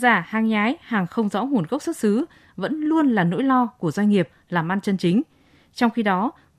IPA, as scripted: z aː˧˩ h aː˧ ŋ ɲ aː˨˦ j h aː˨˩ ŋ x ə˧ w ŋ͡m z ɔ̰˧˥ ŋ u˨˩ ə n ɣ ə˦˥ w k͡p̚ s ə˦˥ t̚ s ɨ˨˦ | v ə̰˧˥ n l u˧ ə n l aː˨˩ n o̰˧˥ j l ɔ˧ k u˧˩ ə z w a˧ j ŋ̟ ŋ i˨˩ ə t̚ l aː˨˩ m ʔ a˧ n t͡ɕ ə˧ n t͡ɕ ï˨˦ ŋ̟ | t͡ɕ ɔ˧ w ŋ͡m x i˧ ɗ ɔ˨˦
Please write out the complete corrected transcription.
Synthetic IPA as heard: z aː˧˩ h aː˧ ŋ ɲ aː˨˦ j h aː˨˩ ŋ x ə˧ w ŋ͡m z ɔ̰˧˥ ŋ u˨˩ ə n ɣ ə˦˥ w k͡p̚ s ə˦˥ t̚ s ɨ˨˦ | v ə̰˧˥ n l u˧ ə n l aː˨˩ n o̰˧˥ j l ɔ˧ k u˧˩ ə z w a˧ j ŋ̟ ŋ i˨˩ ə p̚ l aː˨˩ m ʔ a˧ n t͡ɕ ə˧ n t͡ɕ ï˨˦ ŋ̟ | t͡ɕ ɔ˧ w ŋ͡m x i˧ ɗ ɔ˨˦